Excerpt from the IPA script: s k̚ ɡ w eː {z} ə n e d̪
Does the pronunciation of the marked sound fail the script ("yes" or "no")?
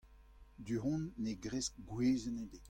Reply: no